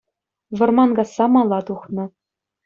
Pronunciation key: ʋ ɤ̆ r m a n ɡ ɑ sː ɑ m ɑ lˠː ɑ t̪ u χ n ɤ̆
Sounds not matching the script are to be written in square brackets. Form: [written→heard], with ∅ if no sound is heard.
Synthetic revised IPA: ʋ ɤ̆ r m [a→ɑ] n ɡ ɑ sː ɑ m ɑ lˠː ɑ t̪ u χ n ɤ̆